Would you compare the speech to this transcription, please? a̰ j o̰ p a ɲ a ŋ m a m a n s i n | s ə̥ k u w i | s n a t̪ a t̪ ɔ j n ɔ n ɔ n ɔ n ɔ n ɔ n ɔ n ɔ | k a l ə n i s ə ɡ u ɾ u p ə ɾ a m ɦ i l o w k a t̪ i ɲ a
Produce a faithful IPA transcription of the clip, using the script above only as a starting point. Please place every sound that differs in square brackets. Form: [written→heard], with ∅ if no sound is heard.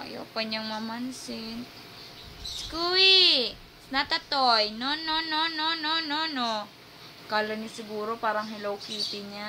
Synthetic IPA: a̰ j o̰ p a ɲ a ŋ m a m a n s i n | s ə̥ k u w i | s n a t̪ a t̪ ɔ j n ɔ n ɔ n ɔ n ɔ n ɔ n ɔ n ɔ | k a l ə n i s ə ɡ u ɾ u p [ə→a] ɾ a [m→ŋ] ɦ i l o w k [a→i] t̪ i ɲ a